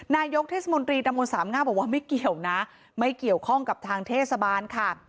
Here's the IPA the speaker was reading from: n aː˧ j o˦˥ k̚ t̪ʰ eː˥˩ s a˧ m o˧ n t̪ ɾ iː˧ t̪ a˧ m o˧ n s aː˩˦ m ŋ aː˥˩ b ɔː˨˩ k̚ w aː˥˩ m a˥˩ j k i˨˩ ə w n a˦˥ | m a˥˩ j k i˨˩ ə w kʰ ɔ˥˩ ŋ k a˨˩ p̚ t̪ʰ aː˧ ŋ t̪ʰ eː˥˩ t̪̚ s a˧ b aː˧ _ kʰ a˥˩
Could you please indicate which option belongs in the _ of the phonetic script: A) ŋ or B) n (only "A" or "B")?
B